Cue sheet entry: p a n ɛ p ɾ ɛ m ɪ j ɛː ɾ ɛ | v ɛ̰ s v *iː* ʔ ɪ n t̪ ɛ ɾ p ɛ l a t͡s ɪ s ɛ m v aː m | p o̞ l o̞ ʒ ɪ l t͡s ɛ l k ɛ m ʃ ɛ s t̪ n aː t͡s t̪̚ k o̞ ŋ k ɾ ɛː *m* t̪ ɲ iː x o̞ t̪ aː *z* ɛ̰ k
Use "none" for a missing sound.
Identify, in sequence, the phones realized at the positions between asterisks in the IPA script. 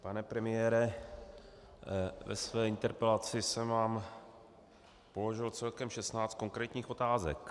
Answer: ɛː, none, z

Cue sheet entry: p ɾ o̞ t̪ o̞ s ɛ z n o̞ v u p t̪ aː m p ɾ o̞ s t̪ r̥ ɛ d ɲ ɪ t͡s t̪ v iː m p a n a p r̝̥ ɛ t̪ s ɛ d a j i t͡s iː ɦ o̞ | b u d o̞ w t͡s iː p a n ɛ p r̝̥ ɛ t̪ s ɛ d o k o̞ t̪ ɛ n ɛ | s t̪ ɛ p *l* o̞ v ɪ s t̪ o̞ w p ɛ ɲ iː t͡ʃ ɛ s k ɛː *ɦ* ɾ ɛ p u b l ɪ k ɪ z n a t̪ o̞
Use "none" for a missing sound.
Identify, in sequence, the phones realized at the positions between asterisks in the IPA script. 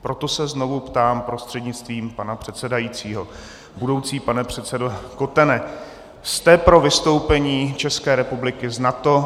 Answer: ɾ, none

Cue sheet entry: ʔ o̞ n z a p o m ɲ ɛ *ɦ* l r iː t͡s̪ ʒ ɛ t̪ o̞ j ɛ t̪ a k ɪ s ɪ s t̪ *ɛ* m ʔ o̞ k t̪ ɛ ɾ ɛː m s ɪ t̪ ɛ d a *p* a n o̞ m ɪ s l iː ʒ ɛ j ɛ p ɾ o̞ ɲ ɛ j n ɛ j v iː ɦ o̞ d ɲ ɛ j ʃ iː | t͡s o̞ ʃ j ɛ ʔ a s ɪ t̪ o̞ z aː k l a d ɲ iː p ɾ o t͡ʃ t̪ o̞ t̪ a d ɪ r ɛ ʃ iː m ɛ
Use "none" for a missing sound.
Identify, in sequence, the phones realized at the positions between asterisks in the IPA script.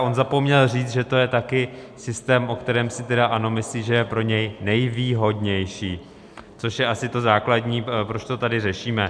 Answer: none, ɛː, ʔ

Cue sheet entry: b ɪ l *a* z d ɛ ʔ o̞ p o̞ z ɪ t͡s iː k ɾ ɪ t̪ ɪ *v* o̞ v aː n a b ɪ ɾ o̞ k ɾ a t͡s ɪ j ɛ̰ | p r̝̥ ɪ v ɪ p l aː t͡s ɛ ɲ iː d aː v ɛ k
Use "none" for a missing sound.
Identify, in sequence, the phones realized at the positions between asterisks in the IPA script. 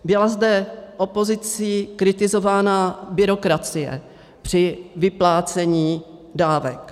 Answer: a, z

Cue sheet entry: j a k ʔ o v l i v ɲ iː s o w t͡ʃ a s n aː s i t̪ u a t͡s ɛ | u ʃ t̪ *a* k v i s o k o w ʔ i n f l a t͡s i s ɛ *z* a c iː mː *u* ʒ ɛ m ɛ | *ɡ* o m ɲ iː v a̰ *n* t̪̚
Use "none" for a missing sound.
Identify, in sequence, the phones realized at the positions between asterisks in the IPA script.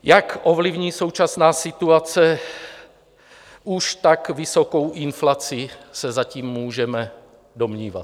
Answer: a, z, uː, d, none

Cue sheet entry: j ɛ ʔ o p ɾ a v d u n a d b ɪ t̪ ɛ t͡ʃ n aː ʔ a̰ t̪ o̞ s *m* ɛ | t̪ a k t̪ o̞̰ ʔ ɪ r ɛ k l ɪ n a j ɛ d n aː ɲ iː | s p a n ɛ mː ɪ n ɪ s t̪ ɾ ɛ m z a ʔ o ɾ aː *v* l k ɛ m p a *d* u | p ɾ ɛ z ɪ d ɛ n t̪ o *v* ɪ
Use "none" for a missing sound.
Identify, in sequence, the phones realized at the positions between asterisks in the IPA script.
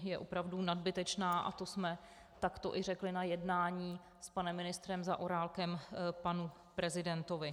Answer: m, none, n, v

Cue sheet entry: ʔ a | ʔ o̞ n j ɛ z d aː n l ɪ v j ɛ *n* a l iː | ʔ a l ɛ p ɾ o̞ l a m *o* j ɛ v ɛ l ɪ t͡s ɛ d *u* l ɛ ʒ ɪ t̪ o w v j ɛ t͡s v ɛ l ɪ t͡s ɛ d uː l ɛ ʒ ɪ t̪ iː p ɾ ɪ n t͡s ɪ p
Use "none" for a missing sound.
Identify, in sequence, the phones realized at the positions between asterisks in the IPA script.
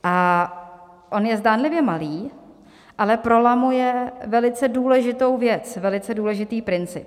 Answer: m, u, uː

